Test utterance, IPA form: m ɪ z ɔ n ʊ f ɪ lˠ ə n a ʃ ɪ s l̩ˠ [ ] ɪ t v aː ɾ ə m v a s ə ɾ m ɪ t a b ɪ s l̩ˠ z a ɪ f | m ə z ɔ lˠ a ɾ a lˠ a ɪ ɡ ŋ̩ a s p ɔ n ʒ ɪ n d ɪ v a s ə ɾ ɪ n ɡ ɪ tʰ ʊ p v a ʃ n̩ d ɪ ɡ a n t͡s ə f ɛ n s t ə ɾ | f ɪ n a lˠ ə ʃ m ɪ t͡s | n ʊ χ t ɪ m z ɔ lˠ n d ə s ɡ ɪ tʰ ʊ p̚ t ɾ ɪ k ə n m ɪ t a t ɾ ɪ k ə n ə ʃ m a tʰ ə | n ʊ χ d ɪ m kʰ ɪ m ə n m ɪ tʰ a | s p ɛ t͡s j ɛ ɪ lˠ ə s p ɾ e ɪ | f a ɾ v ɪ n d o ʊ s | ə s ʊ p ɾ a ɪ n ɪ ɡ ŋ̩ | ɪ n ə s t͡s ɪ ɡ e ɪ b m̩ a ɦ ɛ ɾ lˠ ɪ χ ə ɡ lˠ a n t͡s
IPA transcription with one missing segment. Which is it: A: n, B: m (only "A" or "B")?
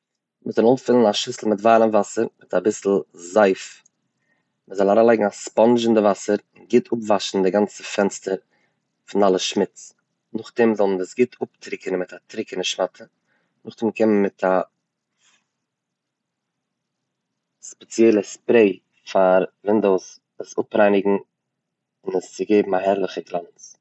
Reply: B